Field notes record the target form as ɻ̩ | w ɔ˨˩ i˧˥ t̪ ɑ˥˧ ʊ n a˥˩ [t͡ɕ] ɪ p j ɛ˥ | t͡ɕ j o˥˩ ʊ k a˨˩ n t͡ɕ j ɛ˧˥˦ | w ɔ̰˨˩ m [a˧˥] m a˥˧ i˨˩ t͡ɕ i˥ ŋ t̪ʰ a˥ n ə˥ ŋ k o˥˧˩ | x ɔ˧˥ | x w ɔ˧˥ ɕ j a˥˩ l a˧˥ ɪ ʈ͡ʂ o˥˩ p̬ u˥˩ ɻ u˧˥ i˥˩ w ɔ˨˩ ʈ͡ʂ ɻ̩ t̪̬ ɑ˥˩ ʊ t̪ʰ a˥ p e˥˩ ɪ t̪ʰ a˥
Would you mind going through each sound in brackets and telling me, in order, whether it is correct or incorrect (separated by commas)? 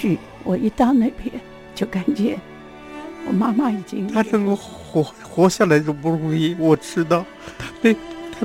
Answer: incorrect, incorrect